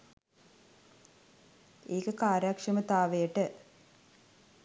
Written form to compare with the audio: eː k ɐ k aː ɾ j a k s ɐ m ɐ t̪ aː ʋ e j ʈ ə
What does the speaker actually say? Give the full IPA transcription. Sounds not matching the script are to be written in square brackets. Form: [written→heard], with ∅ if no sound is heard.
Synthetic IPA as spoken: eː k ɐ k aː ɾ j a k [s→ʂ] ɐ m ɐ t̪ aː ʋ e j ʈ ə